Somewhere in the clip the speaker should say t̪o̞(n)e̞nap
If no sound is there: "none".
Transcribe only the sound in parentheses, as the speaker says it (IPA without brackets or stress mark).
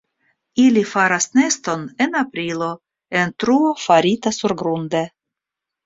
n